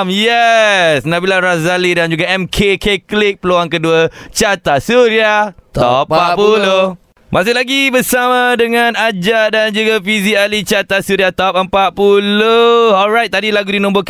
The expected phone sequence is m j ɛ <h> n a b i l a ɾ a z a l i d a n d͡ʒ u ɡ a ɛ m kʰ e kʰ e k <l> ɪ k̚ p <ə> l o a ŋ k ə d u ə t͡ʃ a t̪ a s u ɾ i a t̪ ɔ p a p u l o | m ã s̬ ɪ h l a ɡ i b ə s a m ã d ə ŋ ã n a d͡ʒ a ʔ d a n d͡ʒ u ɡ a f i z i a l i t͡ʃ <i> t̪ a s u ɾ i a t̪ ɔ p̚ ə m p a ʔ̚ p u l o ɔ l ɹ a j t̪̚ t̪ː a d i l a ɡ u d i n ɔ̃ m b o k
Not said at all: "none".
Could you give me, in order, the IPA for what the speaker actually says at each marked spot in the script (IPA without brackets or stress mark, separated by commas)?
s, l, ə, a